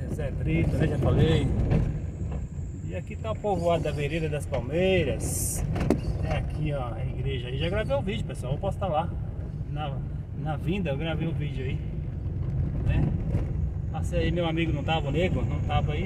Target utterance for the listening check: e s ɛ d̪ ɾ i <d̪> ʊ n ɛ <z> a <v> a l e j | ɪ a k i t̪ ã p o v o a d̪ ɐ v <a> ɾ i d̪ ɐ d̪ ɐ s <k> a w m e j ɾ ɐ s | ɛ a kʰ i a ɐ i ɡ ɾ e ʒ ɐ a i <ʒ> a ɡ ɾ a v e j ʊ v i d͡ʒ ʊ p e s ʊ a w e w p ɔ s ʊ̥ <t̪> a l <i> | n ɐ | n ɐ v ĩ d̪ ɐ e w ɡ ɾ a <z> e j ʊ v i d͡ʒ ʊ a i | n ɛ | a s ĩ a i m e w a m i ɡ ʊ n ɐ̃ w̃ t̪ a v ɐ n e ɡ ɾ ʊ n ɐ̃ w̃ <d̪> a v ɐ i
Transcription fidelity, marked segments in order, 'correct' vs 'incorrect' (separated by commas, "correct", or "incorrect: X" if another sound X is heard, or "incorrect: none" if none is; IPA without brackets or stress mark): incorrect: t̪, incorrect: ʒ, incorrect: f, incorrect: e, incorrect: p, correct, correct, incorrect: a, incorrect: v, incorrect: t̪